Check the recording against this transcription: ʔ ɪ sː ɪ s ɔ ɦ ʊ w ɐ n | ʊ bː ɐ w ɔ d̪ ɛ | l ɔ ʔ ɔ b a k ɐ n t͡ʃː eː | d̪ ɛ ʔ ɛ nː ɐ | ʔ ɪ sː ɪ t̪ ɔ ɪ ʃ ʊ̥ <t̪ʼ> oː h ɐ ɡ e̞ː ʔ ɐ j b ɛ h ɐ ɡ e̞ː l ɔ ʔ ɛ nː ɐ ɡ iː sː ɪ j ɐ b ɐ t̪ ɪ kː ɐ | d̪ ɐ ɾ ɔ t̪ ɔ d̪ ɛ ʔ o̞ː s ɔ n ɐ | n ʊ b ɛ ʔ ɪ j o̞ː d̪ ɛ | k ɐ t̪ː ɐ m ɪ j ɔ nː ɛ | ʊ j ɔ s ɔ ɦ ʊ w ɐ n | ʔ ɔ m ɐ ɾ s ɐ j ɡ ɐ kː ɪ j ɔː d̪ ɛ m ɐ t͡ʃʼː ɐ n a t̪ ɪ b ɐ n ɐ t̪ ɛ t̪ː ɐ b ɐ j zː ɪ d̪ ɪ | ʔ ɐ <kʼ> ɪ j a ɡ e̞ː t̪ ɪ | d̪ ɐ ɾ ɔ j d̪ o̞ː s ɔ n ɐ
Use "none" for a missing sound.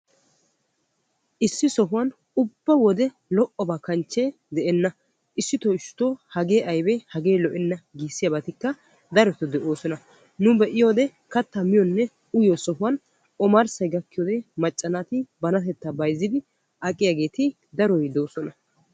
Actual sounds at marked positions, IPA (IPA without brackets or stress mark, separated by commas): t̪, kʼ